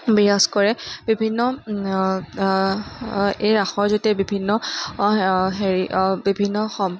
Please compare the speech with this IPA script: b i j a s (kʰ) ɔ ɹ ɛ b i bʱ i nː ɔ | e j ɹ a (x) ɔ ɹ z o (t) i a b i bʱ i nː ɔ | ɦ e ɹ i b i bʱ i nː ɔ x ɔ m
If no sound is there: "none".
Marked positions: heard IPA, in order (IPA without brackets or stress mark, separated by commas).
k, x, t